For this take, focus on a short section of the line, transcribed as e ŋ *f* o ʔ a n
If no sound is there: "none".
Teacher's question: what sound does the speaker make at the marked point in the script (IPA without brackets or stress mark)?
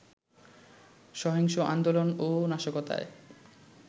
ʃ